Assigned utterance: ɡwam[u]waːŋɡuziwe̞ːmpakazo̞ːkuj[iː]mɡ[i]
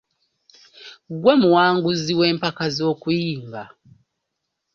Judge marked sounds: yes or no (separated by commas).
yes, yes, no